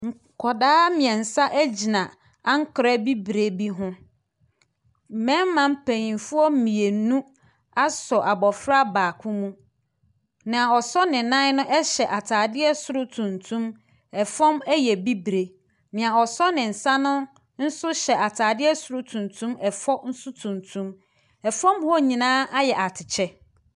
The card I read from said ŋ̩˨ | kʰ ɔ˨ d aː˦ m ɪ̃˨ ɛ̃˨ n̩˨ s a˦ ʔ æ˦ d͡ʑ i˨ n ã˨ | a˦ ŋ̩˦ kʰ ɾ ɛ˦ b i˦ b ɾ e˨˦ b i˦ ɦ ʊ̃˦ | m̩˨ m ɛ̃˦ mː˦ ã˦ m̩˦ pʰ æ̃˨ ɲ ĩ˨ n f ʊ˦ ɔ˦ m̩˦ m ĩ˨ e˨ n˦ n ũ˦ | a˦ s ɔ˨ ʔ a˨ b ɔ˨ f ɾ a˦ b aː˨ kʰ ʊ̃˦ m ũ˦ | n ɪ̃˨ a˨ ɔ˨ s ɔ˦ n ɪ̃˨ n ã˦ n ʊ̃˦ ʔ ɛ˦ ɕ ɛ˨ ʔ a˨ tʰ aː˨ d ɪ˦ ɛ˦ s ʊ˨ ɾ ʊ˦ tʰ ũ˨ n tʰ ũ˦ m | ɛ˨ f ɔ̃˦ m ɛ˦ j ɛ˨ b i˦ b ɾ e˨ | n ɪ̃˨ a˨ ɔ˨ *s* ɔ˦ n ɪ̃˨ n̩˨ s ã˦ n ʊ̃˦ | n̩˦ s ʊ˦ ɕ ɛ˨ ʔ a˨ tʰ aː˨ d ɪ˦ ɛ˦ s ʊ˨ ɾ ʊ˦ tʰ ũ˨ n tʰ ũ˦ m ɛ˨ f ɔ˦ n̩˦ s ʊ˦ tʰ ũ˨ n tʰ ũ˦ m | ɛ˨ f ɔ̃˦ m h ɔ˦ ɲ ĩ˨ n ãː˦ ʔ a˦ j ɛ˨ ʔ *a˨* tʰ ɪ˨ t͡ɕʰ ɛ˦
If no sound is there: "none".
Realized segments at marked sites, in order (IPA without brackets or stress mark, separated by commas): s, a˨